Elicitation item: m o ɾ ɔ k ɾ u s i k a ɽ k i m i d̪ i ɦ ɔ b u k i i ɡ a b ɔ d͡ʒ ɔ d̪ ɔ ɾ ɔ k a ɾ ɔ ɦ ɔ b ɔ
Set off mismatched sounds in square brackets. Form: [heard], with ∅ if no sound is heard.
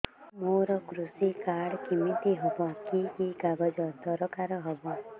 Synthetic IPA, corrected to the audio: m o ɾ ɔ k ɾ u s i k a ɽ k i m i [t̪] i ɦ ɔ b [ɔ] k i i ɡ a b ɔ d͡ʒ ɔ d̪ ɔ ɾ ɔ k a ɾ ɔ ɦ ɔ b ɔ